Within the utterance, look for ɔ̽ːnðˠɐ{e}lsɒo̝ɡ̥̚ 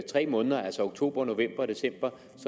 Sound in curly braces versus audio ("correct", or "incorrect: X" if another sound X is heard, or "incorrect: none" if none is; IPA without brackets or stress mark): incorrect: æ